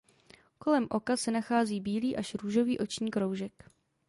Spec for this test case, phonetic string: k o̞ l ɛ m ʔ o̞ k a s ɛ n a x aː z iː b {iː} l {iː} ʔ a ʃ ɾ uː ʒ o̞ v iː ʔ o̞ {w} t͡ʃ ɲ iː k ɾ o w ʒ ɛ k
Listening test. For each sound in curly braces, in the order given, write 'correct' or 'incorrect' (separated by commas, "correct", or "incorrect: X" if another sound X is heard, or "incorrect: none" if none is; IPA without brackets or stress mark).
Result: correct, correct, incorrect: none